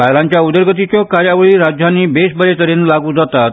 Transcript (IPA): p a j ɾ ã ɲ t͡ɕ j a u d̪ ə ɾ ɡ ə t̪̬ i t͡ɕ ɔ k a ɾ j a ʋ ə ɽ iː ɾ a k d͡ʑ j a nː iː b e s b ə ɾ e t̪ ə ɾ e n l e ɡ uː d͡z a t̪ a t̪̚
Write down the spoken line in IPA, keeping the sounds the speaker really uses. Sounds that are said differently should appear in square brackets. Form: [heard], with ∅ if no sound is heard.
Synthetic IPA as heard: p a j [l] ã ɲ t͡ɕ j a u d̪ ə ɾ ɡ ə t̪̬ i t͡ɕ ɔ k a ɾ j a ʋ ə [ɭ] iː ɾ a [∅] d͡ʑ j a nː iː b e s b ə ɾ e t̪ ə ɾ e n l [a] ɡ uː d͡z a t̪ a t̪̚